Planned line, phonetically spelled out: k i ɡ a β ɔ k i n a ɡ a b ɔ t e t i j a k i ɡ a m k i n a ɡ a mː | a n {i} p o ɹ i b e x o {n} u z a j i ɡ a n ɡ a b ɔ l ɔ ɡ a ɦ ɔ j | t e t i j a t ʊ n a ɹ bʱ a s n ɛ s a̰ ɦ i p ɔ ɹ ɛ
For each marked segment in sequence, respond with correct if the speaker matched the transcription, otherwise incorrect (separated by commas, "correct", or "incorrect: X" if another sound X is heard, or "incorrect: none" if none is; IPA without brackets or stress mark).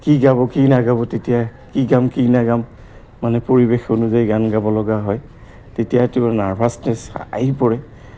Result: incorrect: ɛ, correct